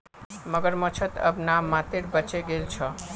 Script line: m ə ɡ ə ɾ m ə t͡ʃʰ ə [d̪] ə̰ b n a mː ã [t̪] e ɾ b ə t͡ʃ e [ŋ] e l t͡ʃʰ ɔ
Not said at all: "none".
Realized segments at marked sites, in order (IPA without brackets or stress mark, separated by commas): t̪, t̪, ɡ